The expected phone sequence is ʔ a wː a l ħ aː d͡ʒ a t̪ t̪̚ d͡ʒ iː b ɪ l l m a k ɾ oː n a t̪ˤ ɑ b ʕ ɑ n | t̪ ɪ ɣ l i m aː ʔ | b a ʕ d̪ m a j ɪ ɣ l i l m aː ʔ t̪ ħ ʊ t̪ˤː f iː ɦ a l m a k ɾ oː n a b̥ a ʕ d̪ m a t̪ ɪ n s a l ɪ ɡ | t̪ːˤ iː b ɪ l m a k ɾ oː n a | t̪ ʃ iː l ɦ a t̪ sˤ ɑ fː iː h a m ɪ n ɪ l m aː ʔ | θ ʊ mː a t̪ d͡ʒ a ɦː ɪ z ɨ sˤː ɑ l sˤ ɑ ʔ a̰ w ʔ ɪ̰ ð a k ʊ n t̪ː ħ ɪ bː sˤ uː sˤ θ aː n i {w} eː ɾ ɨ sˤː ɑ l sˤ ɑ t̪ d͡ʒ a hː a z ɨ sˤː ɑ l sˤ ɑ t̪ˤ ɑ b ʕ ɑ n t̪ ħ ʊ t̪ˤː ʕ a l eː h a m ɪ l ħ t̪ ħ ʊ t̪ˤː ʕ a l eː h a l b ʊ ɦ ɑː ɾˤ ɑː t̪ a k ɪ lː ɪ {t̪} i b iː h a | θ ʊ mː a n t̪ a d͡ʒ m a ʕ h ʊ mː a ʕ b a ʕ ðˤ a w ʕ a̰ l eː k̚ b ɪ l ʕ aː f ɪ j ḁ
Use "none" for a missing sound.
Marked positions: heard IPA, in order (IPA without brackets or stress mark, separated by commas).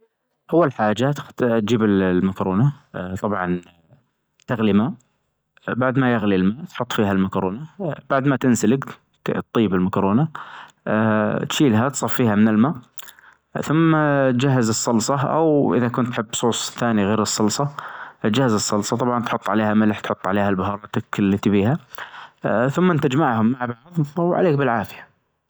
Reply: ɣ, t̪